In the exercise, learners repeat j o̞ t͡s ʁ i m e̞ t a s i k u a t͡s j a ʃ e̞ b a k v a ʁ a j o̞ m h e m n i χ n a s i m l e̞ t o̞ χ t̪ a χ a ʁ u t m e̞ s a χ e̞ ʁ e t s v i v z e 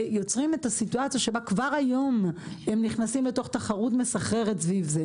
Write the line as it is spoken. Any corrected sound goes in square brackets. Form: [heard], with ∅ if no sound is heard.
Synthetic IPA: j o̞ t͡s ʁ i m e̞ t a s i [t] u a t͡s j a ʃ e̞ b a k v a ʁ a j o̞ m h e m n i χ n a s i m l e̞ t o̞ χ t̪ a χ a ʁ u t m e̞ s a χ e̞ ʁ e t s v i v z e